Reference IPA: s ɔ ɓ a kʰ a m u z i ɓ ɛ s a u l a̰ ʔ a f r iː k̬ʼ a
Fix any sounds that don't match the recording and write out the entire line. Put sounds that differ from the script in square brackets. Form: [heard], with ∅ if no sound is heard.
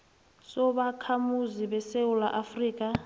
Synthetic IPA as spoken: s ɔ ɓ a kʰ a m u z i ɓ ɛ s [e] u l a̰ ʔ a f r iː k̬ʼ a